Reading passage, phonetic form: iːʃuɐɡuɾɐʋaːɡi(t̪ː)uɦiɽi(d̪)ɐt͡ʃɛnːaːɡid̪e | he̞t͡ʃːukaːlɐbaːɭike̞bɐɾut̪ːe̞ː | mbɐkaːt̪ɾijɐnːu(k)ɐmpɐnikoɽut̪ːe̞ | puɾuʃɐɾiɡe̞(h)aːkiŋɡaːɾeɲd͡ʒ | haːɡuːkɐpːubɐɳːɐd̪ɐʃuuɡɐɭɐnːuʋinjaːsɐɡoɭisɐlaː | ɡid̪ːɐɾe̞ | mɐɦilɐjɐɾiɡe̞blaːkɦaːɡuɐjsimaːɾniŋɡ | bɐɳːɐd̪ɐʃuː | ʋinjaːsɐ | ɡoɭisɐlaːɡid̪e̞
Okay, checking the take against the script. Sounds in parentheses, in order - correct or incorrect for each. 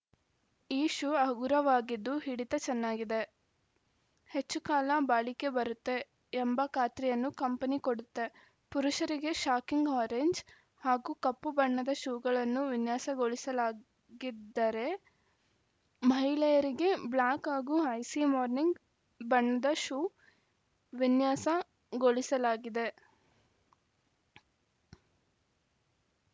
incorrect: d̪ː, incorrect: t̪, correct, incorrect: ʃ

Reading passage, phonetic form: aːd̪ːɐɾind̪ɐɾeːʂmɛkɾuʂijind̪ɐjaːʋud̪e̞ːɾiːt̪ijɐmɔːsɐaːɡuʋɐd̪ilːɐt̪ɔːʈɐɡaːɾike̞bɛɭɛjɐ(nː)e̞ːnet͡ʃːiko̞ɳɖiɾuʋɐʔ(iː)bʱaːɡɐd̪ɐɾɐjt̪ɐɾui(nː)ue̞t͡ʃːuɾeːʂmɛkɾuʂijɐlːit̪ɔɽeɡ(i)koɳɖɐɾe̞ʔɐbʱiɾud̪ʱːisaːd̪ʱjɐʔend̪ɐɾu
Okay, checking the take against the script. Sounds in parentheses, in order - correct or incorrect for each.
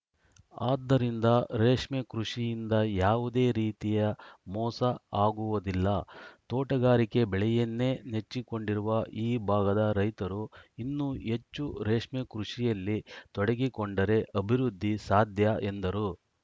correct, correct, correct, correct

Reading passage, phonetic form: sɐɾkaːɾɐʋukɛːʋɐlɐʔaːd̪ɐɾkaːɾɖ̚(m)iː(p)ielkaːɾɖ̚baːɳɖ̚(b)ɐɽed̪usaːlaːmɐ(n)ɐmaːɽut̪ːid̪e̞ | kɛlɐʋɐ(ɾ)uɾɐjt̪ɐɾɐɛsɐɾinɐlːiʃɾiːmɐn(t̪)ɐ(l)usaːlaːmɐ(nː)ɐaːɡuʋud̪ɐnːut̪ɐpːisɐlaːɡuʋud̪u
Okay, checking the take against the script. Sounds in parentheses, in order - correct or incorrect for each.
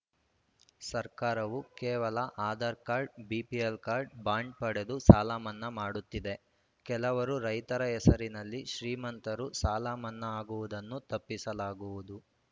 incorrect: b, correct, incorrect: p, incorrect: nː, correct, correct, incorrect: ɾ, correct

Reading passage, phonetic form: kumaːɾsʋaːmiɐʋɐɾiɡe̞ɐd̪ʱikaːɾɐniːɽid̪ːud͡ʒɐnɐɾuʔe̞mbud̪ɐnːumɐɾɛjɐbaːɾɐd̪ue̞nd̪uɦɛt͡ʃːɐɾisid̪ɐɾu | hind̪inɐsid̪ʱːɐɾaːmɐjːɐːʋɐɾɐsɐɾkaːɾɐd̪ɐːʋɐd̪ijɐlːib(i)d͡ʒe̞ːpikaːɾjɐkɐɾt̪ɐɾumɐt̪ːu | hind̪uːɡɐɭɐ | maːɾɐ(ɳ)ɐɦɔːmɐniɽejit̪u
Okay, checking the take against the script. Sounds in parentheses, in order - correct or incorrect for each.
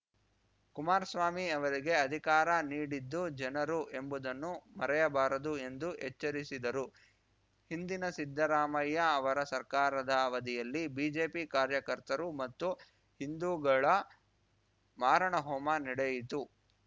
incorrect: iː, correct

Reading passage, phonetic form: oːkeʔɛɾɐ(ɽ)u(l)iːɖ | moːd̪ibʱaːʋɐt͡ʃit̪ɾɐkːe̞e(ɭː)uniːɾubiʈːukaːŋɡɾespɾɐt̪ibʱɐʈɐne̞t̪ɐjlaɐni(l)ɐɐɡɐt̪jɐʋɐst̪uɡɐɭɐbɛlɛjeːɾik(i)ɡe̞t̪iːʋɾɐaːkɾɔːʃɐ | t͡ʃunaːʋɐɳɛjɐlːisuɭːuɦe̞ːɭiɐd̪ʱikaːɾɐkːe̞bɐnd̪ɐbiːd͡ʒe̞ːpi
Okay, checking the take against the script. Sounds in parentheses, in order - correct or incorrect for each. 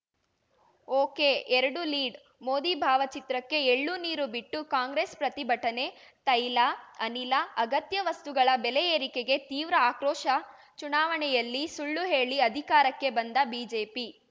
correct, correct, correct, correct, incorrect: e

